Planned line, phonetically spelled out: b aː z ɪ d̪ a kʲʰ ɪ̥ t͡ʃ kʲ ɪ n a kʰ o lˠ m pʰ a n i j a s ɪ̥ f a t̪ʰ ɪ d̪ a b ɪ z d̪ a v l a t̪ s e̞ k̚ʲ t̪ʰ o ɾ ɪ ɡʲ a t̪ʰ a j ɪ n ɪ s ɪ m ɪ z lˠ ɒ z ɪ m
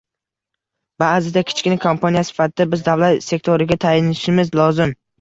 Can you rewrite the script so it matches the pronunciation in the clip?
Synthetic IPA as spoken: b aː z ɪ d̪ a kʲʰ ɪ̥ t͡ʃ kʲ ɪ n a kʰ o m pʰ a n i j a s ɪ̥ f a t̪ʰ ɪ d̪ a b ɪ z d̪ a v l a t̪ s e̞ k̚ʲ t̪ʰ o ɾ ɪ ɡʲ a t̪ʰ a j ɪ n ɪ ʃ ɪ m ɪ z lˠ ɒ z ɪ m